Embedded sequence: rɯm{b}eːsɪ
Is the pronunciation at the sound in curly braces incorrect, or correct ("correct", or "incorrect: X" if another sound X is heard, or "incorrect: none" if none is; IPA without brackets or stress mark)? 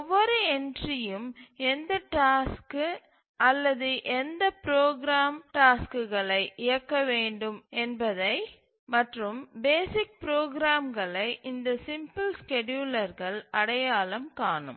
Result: correct